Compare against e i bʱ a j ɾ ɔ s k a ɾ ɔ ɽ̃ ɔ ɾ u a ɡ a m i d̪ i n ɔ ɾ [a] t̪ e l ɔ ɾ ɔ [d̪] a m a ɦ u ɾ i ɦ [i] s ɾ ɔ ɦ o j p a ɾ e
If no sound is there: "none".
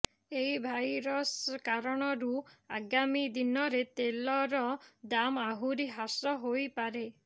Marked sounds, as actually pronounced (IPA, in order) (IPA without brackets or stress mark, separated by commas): e, d̪, a